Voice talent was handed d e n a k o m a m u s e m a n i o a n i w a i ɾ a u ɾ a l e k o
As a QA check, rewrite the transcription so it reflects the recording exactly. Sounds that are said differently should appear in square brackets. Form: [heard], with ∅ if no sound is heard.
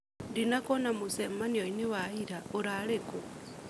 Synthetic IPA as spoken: d [i] n a k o [n] a m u s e m a n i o [i] n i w a i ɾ a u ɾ a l e k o